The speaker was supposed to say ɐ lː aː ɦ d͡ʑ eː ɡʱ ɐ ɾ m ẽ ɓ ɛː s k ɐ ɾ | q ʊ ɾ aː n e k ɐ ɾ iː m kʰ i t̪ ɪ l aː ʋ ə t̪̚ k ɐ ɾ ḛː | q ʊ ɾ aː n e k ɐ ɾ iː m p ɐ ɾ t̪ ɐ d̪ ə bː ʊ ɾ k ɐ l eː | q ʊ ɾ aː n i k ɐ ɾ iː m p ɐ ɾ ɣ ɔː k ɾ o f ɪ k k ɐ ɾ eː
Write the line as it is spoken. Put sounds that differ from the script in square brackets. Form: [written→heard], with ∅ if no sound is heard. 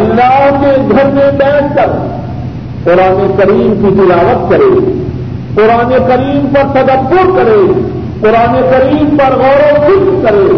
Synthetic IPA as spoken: ɐ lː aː ɦ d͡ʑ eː ɡʱ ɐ ɾ m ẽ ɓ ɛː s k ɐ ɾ | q ʊ ɾ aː n e k ɐ ɾ iː m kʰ i t̪ ɪ l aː ʋ ə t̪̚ k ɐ ɾ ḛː | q ʊ ɾ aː n e k ɐ ɾ iː m p ɐ ɾ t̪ ɐ d̪ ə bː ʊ ɾ k ɐ [l→ɾ] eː | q ʊ ɾ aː n [i→e] k ɐ ɾ iː m p ɐ ɾ ɣ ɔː [k→∅] ɾ o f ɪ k k ɐ ɾ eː